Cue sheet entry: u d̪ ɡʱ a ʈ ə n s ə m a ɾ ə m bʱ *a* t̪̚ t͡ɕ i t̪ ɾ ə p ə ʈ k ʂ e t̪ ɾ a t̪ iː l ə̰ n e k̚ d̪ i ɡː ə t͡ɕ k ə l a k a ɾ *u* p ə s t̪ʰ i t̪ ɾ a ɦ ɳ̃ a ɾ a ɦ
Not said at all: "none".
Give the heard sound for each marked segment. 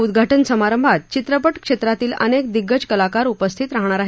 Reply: a, u

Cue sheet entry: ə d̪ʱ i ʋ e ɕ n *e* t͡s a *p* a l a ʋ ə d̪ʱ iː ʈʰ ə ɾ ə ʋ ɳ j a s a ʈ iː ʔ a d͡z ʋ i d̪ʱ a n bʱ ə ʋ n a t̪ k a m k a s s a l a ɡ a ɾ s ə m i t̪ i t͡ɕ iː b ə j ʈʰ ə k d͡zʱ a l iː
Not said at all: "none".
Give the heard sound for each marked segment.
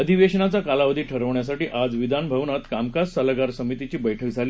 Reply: a, k

